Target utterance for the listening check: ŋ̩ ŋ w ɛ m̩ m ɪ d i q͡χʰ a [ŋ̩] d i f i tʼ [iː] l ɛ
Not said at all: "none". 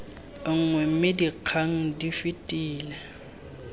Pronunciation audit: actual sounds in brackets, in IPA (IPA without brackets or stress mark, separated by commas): ŋ̩, iː